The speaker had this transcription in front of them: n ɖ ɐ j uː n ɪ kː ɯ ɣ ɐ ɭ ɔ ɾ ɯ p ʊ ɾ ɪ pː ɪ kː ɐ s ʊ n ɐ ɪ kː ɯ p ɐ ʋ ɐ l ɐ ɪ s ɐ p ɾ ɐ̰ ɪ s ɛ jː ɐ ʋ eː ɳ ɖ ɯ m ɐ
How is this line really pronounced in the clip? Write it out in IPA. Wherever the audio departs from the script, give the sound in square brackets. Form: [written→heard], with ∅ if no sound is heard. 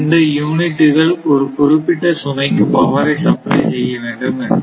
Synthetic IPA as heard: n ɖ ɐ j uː n ɪ [kː→ʈː] ɯ ɣ ɐ ɭ ɔ ɾ ɯ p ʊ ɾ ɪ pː ɪ [kː→ʈː] ɐ s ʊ n ɐ ɪ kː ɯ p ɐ ʋ ɐ [l→ɾ] ɐ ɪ s ɐ p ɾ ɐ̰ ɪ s ɛ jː ɐ ʋ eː ɳ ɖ ɯ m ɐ

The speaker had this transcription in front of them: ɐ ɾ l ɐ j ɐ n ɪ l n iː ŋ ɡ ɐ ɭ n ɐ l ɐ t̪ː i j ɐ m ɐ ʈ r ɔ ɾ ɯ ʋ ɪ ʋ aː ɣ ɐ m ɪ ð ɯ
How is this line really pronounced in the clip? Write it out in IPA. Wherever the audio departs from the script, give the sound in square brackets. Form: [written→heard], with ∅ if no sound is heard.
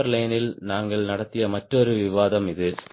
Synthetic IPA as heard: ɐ ɾ l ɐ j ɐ n ɪ l n [iː→aː] ŋ ɡ ɐ ɭ n ɐ [l→ɽ] ɐ t̪ː [i→ɪ] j ɐ m ɐ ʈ r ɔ ɾ ɯ ʋ ɪ ʋ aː [ɣ→ð] ɐ m ɪ ð ɯ

